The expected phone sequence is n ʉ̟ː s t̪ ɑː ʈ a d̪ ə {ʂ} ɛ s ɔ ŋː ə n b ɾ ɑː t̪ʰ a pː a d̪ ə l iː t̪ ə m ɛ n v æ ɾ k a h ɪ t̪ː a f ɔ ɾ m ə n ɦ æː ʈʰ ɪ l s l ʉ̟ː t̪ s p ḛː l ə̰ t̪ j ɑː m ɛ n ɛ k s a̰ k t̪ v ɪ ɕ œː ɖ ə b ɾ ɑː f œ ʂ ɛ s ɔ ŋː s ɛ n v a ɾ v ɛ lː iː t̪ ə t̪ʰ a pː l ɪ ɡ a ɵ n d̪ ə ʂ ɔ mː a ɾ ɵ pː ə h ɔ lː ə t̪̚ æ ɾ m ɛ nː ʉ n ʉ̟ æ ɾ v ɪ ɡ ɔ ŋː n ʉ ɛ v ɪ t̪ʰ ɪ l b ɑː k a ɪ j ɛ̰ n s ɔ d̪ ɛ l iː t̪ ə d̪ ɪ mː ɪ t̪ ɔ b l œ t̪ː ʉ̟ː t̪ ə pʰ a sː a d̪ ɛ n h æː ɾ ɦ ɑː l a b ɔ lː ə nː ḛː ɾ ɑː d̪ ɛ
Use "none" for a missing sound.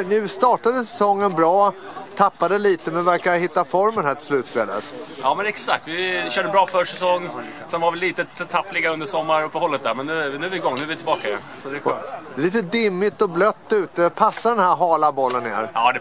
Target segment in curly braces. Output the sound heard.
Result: s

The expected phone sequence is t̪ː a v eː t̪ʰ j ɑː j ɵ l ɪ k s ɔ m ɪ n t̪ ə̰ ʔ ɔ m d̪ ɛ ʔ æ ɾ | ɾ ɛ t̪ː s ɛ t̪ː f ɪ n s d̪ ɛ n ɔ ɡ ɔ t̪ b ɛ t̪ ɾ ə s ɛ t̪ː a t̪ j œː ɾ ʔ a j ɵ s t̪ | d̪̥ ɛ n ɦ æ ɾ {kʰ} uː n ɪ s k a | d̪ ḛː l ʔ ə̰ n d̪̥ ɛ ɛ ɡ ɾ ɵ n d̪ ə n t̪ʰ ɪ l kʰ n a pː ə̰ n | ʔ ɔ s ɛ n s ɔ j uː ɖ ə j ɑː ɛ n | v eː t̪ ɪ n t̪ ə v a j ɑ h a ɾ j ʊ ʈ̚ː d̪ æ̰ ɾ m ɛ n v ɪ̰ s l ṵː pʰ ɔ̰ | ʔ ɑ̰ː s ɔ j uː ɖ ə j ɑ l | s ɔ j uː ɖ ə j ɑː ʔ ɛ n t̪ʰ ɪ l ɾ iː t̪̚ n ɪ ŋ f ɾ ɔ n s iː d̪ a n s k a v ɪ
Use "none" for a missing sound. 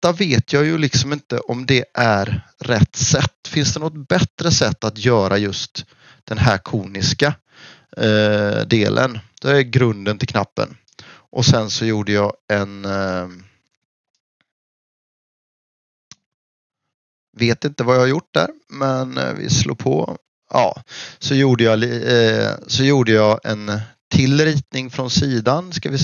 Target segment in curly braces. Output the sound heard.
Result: kʰ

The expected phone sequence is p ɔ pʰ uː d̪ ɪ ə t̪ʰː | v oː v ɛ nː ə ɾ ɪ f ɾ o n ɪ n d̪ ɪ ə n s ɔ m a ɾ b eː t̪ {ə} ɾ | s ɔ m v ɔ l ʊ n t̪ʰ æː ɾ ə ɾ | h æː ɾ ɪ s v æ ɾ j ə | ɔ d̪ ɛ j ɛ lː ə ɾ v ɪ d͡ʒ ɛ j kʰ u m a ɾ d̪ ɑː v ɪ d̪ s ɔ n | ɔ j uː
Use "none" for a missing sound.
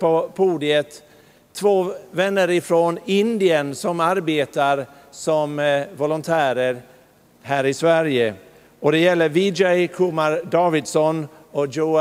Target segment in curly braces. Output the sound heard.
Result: a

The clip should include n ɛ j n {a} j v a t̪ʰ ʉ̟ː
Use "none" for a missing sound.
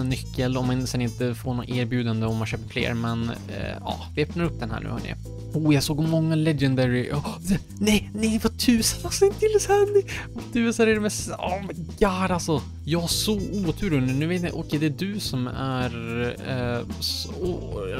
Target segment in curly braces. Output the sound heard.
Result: ɛ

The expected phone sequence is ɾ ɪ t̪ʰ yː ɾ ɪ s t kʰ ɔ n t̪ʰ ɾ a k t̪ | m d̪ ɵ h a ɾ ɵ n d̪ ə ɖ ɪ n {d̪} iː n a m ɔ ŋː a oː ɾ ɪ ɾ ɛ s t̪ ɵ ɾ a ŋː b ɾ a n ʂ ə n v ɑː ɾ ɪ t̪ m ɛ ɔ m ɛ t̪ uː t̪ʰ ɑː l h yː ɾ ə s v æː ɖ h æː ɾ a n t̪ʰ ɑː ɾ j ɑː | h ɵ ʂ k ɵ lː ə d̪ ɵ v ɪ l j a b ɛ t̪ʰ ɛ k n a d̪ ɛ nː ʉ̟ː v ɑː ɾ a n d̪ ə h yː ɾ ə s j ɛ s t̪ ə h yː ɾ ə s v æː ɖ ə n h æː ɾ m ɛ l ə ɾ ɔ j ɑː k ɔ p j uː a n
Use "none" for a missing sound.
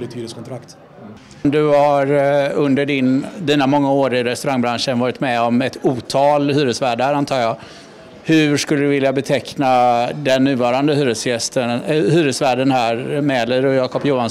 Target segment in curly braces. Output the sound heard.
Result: d̪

